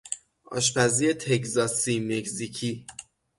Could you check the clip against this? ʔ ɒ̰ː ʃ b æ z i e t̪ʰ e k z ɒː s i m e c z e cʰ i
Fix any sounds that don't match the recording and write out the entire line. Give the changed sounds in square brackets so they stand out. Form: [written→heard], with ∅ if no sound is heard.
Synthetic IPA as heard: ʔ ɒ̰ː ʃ [b→p] æ z i e t̪ʰ e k z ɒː s i m e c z [e→i] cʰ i